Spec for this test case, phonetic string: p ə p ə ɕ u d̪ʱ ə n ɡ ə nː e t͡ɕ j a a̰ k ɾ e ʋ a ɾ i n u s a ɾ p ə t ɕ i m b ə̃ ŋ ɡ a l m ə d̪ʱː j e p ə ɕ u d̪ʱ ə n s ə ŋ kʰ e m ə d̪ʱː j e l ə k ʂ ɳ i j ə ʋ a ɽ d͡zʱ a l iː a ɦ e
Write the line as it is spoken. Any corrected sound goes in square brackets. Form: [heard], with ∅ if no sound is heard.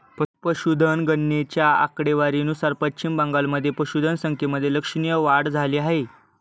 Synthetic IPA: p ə p ə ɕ u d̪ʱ ə n ɡ ə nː e t͡ɕ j a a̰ k [ɽ] e ʋ a ɾ i n u s a ɾ p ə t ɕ i m b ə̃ ŋ ɡ a l m ə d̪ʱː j e p ə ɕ u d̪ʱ ə n s ə ŋ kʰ e m ə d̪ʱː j e l ə k ʂ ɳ i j ə ʋ a ɽ d͡zʱ a l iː a ɦ e